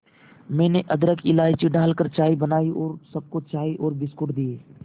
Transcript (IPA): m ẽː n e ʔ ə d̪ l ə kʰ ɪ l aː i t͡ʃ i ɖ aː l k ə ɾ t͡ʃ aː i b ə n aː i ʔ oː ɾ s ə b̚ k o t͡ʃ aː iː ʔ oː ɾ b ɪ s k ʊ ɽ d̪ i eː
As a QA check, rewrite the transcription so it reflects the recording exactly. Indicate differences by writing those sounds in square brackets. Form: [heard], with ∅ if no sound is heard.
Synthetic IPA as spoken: m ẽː n e ʔ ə d̪ [ɾ] ə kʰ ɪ l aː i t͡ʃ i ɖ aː l k ə ɾ t͡ʃ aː i b ə n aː i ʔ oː ɾ s ə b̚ k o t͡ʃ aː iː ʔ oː ɾ b ɪ s k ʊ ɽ d̪ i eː